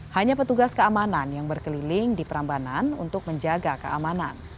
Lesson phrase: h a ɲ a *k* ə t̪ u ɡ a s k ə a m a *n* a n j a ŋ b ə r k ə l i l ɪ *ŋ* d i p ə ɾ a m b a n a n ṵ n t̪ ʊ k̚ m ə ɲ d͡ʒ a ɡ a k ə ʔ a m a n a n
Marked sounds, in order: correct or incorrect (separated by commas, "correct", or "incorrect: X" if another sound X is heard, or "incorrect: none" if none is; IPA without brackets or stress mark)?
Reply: incorrect: p, correct, correct